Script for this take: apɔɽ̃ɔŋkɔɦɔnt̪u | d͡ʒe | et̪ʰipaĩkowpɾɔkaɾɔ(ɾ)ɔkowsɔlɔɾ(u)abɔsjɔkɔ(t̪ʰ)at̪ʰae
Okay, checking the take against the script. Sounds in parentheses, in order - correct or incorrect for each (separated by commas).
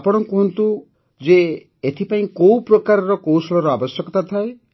correct, incorrect, incorrect